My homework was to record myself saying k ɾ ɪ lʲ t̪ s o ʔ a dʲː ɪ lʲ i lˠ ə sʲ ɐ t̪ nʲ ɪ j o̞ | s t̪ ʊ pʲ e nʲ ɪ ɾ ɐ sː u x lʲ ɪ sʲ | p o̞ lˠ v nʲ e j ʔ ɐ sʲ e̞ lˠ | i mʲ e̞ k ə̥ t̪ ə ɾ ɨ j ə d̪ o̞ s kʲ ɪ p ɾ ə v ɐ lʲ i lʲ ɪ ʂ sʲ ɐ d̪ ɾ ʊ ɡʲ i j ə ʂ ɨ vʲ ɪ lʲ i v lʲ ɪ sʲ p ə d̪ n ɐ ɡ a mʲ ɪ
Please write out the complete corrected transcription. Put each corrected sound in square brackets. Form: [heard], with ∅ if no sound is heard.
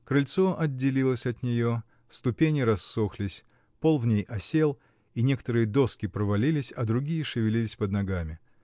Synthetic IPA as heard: k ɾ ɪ lʲ t̪ s o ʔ [ɐ] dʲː ɪ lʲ i lˠ ə sʲ ɐ t̪ nʲ ɪ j o̞ | s t̪ ʊ pʲ e nʲ ɪ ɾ ɐ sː [o] x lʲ ɪ sʲ | p o̞ lˠ v nʲ e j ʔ ɐ sʲ e̞ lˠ | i [nʲ] e̞ k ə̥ t̪ ə ɾ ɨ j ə d̪ o̞ s kʲ ɪ p ɾ ə v ɐ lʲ i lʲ ɪ [∅] sʲ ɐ d̪ ɾ ʊ ɡʲ i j ə ʂ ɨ vʲ ɪ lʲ i [∅] lʲ ɪ sʲ p ə d̪ n ɐ ɡ a mʲ ɪ

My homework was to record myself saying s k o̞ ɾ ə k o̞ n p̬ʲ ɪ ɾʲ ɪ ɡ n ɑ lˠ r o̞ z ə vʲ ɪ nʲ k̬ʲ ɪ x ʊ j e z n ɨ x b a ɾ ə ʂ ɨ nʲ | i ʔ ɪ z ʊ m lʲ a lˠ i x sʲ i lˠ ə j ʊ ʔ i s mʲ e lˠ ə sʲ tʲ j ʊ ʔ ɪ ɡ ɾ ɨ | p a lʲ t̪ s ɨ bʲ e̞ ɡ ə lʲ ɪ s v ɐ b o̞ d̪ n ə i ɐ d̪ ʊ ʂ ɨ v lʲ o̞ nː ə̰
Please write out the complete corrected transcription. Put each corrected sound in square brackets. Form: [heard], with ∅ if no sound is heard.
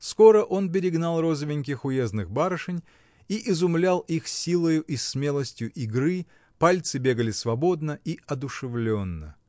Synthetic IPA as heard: s k o̞ ɾ ə [ʔ] o̞ n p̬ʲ ɪ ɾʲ ɪ ɡ n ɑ lˠ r o̞ z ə vʲ ɪ nʲ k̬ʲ ɪ x ʊ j e z n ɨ x b a ɾ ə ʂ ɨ nʲ | i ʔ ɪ z ʊ m lʲ a lˠ i x sʲ i lˠ ə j ʊ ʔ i s mʲ e lˠ ə sʲ tʲ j ʊ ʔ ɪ ɡ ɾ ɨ | p a lʲ t̪ s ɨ bʲ e̞ ɡ ə lʲ ɪ s v ɐ b o̞ d̪ n ə i ɐ d̪ ʊ ʂ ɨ v lʲ o̞ nː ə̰

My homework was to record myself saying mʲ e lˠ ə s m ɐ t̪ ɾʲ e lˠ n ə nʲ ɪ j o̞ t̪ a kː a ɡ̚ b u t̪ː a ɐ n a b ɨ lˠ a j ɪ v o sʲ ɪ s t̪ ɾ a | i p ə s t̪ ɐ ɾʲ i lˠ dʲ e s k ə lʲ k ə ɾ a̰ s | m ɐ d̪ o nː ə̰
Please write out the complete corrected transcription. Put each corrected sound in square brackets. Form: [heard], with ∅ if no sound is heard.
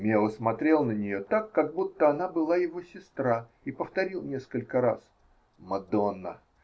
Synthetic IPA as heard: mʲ e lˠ ə s m ɐ t̪ ɾʲ e lˠ n ə nʲ ɪ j o̞ t̪ a kː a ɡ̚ b u t̪ː [ə] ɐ n a b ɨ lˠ a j ɪ v o sʲ ɪ s t̪ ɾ a | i p ə [f] t̪ ɐ ɾʲ i lˠ [nʲ] e s k ə lʲ k ə ɾ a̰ s | m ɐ d̪ o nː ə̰

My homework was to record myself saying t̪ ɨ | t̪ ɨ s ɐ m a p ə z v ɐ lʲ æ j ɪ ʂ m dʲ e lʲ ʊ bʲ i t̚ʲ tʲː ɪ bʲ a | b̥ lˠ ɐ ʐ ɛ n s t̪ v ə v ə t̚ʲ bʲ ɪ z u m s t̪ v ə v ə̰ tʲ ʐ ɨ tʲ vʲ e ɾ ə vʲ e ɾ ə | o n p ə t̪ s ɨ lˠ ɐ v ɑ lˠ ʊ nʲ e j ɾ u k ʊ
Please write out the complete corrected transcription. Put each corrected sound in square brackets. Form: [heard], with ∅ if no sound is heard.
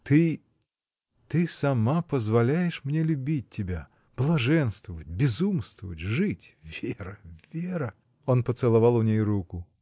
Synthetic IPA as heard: t̪ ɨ | t̪ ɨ s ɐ m a p ə z v ɐ lʲ æ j ɪ ʂ m [nʲ] e lʲ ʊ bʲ i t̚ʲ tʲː ɪ bʲ a | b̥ lˠ ɐ ʐ ɛ n s t̪ v ə v ə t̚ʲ bʲ ɪ z u m s t̪ v ə v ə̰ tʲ ʐ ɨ tʲ vʲ e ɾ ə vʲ e ɾ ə | o n p ə t̪ s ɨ lˠ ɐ v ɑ lˠ ʊ nʲ e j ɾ u k ʊ

